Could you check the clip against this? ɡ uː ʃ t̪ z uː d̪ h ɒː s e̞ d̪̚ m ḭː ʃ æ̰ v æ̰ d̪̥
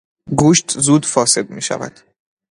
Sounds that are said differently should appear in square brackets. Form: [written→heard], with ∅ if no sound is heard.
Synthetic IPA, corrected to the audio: ɡ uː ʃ t̪ z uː d̪ [h→f] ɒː s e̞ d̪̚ m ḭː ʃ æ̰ v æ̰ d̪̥